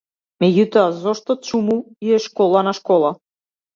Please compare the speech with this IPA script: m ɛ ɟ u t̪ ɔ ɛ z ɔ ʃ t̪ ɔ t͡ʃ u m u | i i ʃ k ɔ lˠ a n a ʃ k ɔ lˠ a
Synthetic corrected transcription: m ɛ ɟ u t̪ ɔ a z ɔ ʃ t̪ ɔ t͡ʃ u m u | i ɛ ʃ k ɔ lˠ a n a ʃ k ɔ lˠ a